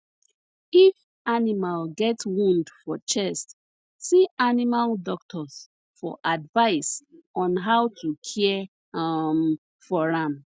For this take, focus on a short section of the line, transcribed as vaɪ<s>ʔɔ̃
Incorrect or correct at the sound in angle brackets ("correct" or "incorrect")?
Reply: correct